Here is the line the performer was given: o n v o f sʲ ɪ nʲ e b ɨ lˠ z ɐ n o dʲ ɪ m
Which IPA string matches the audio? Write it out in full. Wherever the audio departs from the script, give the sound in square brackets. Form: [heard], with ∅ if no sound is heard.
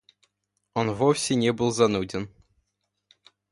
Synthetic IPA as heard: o n v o f sʲ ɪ nʲ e b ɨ lˠ z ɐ n [u] dʲ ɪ [n]